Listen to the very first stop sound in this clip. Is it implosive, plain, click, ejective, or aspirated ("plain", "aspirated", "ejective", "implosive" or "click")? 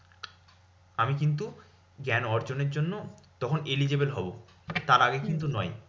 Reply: plain